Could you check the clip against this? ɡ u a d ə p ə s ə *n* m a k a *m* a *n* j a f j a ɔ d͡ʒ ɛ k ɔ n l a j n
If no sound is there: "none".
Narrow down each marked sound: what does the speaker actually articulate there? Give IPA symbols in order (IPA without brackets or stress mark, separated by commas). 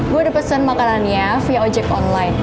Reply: n, n, n